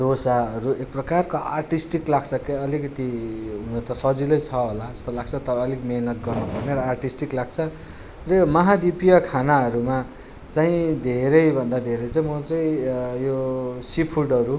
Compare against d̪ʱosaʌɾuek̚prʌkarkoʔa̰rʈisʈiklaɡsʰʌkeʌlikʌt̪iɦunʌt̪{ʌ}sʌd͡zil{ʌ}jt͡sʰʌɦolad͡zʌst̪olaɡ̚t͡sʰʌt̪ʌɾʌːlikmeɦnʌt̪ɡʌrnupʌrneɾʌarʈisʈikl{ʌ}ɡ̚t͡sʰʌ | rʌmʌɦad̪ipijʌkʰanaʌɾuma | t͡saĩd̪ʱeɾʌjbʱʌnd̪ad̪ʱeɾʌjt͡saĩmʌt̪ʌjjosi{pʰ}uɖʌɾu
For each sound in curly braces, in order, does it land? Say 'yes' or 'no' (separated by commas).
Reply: yes, yes, no, yes